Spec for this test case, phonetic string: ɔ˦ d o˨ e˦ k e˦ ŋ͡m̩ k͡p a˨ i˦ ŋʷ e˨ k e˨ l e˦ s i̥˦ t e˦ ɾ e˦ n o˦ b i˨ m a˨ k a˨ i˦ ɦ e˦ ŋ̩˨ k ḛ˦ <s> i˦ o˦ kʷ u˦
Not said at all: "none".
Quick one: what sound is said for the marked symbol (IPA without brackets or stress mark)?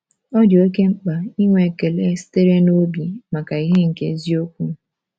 z